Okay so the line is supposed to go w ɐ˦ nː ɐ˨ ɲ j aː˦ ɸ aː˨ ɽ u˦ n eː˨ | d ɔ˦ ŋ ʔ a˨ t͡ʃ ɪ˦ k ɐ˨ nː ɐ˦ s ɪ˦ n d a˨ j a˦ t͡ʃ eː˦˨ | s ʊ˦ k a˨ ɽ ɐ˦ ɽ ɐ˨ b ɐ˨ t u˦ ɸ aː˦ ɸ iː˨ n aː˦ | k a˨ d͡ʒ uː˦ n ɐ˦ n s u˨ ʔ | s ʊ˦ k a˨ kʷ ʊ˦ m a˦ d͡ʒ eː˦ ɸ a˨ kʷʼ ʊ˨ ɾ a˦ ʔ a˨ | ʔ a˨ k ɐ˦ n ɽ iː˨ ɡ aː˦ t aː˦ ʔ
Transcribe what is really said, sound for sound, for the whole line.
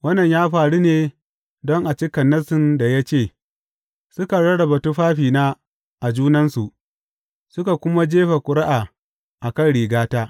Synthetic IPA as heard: w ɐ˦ nː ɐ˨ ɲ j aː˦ ɸ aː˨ ɽ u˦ n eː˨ | d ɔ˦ ŋ ʔ a˨ t͡ʃ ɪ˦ k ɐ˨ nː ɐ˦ s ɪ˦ n d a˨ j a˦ t͡ʃ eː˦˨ | s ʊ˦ k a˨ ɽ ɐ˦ ɽ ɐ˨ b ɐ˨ t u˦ ɸ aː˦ ɸ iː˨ n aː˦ | ʔ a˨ d͡ʒ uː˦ n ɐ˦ n s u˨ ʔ | s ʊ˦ k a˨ kʷ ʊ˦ m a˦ d͡ʒ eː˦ ɸ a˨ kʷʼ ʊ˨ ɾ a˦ ʔ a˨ | ʔ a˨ k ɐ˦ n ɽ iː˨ ɡ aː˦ t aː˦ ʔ